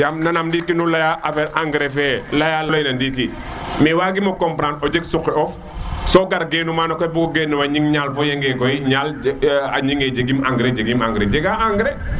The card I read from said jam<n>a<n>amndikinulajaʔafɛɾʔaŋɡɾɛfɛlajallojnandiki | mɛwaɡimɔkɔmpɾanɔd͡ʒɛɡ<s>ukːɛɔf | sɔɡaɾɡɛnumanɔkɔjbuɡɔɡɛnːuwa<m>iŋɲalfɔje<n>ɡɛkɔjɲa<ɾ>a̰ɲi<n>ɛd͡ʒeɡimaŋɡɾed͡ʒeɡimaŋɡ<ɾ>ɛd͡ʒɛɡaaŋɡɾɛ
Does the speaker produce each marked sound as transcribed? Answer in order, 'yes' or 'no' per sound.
yes, yes, yes, no, no, no, no, yes

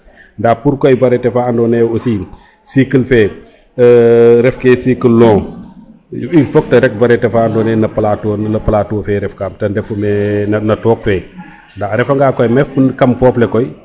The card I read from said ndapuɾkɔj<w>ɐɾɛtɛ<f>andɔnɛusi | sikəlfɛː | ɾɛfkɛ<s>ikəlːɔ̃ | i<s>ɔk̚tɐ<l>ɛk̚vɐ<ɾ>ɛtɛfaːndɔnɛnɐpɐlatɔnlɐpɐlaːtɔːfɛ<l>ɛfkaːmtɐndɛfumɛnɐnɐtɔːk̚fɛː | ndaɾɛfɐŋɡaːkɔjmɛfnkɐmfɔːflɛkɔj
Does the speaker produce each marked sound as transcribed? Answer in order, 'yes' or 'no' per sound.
no, yes, yes, no, no, yes, no

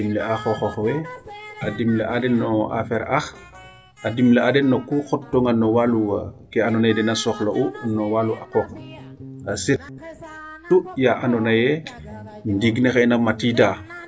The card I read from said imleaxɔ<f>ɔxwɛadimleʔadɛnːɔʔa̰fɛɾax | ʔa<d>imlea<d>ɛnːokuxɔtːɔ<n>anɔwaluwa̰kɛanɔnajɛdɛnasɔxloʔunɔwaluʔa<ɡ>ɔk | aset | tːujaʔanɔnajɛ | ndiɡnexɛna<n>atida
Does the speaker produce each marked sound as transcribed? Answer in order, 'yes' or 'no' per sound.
no, yes, yes, no, no, no

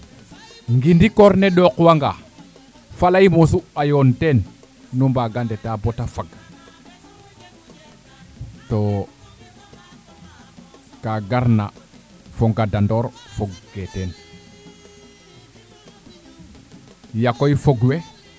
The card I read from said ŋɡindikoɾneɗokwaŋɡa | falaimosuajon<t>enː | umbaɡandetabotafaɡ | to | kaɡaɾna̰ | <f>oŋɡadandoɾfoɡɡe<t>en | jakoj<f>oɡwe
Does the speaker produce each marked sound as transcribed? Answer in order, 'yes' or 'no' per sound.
yes, yes, yes, yes

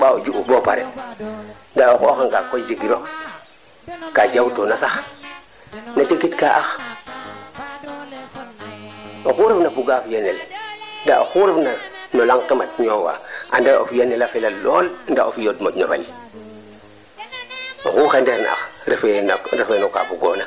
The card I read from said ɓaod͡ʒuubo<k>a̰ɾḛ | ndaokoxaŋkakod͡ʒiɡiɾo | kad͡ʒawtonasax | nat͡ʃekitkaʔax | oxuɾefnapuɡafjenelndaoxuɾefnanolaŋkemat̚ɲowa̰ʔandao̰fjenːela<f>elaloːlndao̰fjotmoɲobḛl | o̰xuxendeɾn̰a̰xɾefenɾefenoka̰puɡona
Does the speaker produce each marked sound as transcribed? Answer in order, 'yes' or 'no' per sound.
no, yes

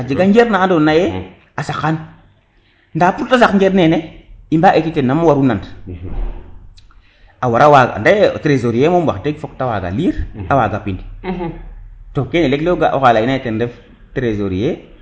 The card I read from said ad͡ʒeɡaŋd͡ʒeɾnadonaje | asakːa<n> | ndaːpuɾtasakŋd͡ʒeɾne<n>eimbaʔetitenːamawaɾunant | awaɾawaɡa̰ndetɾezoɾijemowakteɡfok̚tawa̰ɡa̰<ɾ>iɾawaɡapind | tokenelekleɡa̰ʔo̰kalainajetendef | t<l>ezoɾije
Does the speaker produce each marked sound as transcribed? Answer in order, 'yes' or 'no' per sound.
yes, yes, no, no

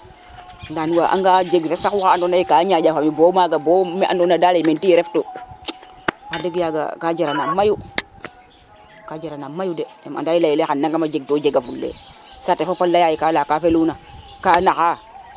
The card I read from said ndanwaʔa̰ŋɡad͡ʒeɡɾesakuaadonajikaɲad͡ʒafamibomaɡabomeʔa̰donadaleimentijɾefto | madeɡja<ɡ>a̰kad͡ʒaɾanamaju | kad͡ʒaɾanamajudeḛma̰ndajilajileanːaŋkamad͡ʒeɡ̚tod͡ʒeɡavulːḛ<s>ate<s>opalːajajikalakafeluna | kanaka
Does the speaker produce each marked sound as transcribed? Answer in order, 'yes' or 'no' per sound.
yes, yes, no

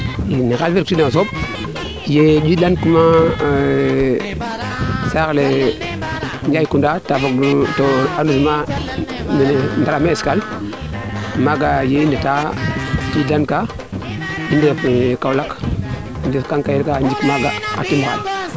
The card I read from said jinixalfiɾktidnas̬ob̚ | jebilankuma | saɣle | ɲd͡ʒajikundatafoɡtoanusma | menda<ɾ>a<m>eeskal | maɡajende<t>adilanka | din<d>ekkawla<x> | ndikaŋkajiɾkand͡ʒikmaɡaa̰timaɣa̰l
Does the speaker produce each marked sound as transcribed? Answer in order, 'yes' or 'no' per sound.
yes, yes, yes, yes, no

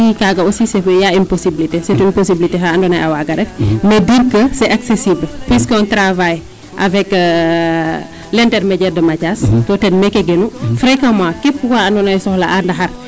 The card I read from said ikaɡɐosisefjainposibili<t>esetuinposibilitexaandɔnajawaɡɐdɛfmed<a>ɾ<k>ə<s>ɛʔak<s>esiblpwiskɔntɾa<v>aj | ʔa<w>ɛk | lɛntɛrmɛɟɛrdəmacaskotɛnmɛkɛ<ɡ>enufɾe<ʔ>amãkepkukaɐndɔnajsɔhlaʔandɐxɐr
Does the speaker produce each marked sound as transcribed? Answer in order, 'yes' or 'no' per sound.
yes, no, yes, yes, yes, yes, no, yes, no

